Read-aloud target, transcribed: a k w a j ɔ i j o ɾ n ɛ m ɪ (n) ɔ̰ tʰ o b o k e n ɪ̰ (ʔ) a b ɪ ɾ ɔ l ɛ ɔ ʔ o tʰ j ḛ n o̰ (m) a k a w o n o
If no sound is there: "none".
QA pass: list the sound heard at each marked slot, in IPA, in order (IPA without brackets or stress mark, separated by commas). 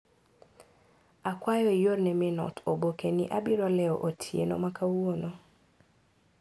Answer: n, ʔ, m